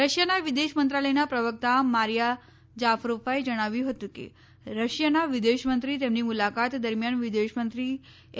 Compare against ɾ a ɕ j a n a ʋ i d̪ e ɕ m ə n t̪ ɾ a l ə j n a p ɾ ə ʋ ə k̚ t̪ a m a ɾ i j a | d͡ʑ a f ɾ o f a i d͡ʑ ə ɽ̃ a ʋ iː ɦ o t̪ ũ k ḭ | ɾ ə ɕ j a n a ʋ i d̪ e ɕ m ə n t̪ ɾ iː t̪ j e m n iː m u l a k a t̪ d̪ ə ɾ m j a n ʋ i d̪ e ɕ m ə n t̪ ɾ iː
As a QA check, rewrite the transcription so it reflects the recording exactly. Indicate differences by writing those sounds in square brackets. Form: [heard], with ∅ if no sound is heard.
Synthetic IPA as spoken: ɾ [ə] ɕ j a n a ʋ i d̪ e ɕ m ə n t̪ ɾ a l ə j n a p ɾ ə ʋ ə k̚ t̪ a m a ɾ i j a | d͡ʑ a f ɾ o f a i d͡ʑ ə ɽ̃ a ʋ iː ɦ o t̪ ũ k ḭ | ɾ ə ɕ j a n a ʋ i d̪ e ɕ m ə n t̪ ɾ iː t̪ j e m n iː m u l a k a t̪ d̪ ə ɾ m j a n ʋ i d̪ e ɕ m ə n t̪ ɾ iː